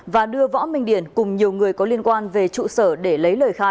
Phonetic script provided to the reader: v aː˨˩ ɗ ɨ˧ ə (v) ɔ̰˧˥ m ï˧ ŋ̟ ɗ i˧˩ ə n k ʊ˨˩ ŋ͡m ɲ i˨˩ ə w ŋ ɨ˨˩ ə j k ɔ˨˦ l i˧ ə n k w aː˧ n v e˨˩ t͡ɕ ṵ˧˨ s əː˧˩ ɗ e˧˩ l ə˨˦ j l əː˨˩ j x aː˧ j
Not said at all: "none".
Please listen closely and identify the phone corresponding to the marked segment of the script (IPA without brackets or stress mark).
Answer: v